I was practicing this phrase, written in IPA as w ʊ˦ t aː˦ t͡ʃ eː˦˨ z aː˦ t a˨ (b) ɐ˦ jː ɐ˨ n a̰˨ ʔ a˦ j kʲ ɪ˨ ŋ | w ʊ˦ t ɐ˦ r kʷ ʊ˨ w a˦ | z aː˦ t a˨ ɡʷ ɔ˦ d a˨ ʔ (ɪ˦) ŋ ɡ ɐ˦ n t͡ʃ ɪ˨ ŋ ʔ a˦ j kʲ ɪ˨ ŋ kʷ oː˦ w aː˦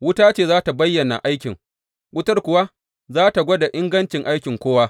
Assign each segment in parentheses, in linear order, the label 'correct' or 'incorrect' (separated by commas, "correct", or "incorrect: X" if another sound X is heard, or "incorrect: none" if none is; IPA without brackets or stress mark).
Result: correct, correct